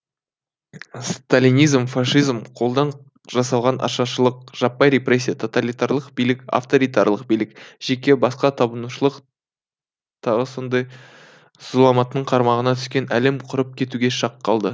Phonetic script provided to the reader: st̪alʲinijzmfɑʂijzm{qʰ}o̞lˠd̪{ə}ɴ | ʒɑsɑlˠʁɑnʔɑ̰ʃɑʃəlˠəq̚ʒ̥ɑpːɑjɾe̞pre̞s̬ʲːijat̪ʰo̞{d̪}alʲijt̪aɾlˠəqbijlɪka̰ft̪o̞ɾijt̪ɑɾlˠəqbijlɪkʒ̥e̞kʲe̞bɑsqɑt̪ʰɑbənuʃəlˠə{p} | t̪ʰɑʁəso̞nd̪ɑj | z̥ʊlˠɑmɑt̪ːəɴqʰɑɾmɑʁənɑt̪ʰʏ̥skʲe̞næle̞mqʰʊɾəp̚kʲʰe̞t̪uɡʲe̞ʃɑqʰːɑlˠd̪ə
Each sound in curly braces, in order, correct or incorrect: correct, incorrect: ɑ, incorrect: t̪, incorrect: q

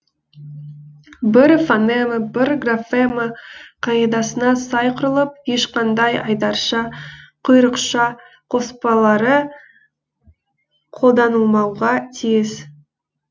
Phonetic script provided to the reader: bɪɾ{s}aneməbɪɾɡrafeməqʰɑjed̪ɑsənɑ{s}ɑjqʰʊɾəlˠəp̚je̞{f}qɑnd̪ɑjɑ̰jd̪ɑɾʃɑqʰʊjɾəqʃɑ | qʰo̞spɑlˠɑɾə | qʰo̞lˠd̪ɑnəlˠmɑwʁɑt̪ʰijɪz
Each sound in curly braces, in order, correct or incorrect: incorrect: f, correct, incorrect: ʃ

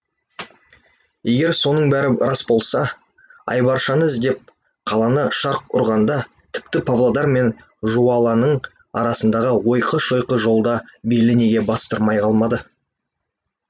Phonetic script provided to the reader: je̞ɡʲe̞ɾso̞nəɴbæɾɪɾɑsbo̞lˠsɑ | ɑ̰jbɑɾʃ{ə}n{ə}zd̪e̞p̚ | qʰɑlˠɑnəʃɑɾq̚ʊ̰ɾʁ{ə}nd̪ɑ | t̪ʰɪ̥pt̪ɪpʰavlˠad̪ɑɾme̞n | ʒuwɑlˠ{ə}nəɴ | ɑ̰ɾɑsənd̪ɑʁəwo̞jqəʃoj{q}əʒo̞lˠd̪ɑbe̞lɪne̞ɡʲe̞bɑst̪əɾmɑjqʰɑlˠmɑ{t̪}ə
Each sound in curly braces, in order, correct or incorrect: incorrect: ɑ, correct, incorrect: ɑ, incorrect: ɑ, correct, incorrect: d̪

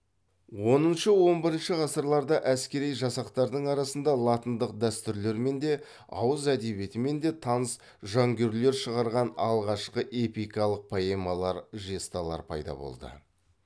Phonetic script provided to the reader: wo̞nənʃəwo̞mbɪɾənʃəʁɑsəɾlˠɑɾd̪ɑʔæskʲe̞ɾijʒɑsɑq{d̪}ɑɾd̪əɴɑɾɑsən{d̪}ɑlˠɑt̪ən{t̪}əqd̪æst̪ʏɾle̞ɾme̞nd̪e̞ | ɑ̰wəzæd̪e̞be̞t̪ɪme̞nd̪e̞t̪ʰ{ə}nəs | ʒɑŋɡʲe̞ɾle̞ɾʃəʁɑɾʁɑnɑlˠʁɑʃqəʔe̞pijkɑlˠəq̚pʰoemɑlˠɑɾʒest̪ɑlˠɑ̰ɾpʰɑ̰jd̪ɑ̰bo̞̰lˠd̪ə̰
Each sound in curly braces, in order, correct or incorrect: incorrect: t̪, correct, incorrect: d̪, incorrect: ɑ

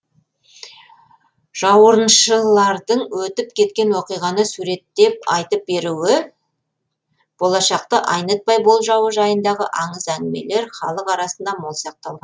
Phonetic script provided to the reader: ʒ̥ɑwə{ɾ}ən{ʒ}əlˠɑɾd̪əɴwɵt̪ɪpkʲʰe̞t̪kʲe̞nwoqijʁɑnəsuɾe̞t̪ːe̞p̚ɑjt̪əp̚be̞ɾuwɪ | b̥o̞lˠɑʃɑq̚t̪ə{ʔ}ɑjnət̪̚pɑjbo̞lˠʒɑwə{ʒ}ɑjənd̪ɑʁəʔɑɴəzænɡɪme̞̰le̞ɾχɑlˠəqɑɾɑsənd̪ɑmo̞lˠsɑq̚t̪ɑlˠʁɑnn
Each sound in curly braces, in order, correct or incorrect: correct, incorrect: ʃ, correct, correct

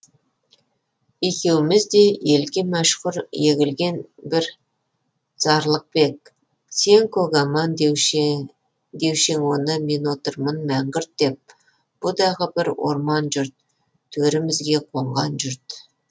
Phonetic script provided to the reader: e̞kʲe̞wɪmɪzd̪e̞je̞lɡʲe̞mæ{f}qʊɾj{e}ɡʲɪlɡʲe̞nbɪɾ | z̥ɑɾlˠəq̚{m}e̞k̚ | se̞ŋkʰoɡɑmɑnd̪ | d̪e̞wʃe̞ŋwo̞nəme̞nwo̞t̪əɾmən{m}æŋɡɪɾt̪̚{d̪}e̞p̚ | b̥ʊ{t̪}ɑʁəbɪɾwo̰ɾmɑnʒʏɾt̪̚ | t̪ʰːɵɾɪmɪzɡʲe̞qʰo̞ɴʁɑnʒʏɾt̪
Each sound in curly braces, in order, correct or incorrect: incorrect: ʃ, correct, incorrect: b, correct, correct, incorrect: d̪

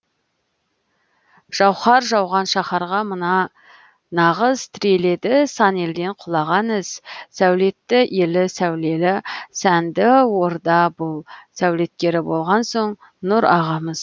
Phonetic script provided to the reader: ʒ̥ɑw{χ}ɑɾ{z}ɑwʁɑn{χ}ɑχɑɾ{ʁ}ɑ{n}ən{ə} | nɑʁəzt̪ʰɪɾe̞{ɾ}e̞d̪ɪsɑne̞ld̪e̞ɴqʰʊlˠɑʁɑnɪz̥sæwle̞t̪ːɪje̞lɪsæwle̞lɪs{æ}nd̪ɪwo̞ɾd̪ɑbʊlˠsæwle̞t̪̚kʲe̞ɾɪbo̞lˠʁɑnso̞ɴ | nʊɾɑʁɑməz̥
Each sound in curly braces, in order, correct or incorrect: correct, incorrect: ʒ, incorrect: ʃ, correct, incorrect: m, incorrect: ɑ, incorrect: l, correct

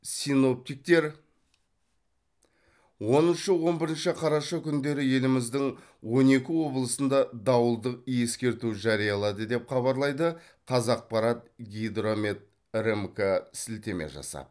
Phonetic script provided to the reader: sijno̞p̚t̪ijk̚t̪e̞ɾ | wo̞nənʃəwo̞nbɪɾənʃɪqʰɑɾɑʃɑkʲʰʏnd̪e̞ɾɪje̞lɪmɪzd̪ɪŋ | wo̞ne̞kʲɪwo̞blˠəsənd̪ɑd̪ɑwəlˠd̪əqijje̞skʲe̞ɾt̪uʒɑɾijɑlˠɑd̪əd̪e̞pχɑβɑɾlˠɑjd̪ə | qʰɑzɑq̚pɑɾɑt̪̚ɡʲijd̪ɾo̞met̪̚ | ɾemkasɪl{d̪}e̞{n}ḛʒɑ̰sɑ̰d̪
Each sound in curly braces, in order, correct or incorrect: incorrect: t̪, incorrect: m

